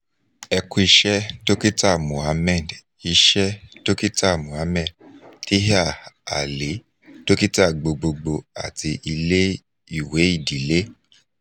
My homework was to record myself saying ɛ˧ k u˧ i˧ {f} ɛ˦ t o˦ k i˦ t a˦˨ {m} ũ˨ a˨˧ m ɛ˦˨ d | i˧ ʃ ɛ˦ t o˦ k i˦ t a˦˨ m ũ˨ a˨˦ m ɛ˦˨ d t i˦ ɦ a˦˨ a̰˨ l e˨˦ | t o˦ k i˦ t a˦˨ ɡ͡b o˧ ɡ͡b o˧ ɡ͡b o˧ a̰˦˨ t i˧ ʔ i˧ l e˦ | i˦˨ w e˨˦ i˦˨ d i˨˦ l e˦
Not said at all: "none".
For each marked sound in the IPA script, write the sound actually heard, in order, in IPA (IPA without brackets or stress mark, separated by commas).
ʃ, m